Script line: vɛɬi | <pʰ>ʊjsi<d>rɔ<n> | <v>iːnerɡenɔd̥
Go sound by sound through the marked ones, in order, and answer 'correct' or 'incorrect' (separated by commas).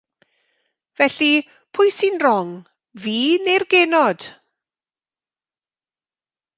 correct, incorrect, incorrect, correct